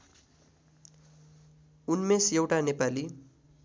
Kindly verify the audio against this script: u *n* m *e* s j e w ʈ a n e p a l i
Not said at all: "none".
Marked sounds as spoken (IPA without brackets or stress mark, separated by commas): n, e